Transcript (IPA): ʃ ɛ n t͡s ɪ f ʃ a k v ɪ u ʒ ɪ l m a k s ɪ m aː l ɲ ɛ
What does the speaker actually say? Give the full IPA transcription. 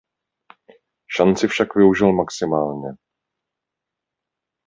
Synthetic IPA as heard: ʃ a n t͡s ɪ f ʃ a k v ɪ u ʒ ɪ l m a k s ɪ m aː l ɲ ɛ